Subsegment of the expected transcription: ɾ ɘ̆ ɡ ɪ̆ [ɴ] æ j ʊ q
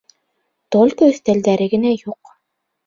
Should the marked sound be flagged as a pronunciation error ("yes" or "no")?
yes